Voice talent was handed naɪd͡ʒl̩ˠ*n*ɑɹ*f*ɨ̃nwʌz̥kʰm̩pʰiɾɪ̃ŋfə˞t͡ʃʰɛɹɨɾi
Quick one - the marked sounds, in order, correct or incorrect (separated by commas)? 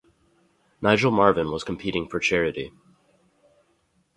incorrect, incorrect